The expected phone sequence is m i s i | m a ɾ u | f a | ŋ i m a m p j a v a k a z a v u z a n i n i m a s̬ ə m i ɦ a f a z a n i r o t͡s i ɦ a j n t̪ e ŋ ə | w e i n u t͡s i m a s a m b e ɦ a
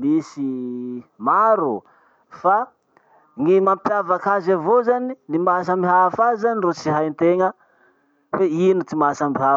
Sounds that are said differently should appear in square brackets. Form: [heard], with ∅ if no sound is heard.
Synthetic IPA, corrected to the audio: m i s i | m a ɾ u | f a | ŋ i m a m p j a v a k a z a v [o] z a n i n i m a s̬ [a] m i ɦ a f a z a n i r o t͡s i ɦ a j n t̪ e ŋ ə | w e i n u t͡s i m a s a m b [i] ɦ a